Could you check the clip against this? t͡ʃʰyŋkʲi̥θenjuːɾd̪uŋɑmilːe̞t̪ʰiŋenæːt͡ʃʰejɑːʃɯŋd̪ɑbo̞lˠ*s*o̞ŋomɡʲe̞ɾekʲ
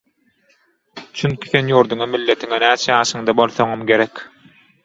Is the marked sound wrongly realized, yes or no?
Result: yes